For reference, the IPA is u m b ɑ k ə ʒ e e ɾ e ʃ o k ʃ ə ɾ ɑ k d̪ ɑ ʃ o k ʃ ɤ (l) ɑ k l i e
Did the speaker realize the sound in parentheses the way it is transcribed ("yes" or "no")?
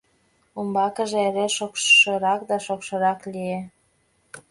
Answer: no